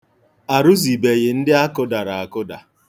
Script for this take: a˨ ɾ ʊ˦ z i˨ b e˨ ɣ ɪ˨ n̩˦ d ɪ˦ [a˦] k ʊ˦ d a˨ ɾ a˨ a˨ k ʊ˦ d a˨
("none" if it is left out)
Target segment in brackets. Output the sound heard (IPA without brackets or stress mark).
a˦